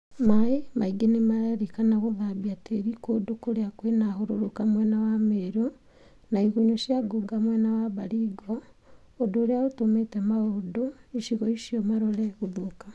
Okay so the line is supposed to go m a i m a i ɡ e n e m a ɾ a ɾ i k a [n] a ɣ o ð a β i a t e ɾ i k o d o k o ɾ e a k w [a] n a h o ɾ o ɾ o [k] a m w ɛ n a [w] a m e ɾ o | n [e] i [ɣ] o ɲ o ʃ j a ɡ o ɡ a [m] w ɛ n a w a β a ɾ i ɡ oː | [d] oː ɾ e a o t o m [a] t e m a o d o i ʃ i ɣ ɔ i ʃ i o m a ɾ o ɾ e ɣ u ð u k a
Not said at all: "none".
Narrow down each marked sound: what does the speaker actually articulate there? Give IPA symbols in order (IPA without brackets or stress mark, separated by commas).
n, e, k, w, a, ɣ, m, d, e